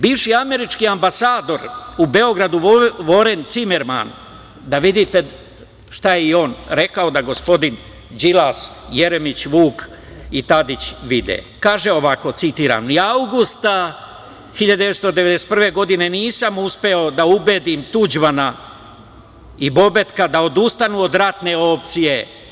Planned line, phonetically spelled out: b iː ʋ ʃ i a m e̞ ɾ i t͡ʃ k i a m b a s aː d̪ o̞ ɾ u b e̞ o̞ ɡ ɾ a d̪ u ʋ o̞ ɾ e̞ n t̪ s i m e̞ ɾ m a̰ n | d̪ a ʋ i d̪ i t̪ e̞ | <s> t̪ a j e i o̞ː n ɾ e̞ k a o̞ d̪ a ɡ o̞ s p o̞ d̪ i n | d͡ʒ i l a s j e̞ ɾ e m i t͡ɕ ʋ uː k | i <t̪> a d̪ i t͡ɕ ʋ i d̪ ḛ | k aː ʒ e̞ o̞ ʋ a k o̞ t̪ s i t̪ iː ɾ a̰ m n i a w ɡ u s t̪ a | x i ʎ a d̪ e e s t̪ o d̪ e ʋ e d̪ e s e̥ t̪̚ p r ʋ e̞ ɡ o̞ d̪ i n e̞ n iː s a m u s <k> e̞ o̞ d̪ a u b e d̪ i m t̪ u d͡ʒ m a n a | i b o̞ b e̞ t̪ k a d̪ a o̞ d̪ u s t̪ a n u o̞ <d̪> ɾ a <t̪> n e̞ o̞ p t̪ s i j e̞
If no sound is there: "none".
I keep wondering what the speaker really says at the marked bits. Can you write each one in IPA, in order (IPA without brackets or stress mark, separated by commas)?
ʃ, t̪, p, d̪, t̪